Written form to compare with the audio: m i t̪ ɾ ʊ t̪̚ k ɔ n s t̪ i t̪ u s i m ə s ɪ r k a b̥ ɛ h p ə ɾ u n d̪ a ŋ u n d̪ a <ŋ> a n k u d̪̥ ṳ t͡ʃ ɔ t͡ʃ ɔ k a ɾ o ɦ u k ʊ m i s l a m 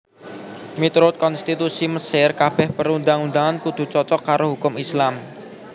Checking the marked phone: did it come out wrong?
no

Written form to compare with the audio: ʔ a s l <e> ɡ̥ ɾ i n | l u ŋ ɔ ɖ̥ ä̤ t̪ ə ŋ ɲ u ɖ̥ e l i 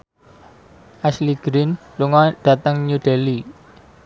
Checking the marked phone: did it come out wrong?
yes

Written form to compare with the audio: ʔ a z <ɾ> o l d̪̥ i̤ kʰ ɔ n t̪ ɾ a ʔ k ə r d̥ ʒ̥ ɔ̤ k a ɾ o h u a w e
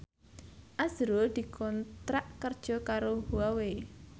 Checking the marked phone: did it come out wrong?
no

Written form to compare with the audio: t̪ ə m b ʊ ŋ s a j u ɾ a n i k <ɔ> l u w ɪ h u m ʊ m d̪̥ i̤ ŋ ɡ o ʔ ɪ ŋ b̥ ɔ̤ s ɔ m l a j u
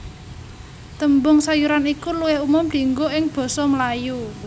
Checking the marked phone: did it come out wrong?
yes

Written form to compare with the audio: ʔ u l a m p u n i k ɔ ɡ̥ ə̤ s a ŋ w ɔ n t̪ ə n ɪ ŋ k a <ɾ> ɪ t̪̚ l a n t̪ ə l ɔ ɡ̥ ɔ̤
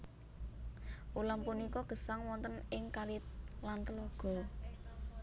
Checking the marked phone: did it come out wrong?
yes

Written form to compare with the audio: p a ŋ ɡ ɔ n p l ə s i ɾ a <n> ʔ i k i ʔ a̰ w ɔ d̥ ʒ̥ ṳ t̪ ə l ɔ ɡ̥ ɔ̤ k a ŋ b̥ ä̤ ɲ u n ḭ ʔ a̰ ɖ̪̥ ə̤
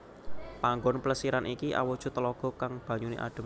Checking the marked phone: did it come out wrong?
no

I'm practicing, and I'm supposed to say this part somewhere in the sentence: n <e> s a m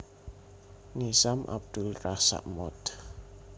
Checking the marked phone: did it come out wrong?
yes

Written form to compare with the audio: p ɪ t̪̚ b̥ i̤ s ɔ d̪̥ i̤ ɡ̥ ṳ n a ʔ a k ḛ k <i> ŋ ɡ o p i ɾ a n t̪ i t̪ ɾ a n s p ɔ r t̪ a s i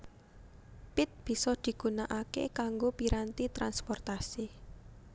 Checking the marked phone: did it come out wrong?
yes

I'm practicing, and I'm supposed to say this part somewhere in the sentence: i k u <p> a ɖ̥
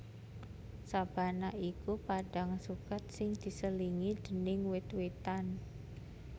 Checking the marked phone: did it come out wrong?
no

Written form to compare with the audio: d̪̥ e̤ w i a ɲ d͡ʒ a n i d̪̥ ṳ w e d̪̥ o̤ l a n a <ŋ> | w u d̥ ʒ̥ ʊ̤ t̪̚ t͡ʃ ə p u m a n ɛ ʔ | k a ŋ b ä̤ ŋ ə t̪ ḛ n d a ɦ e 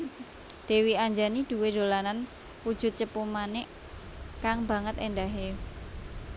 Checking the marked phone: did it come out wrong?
yes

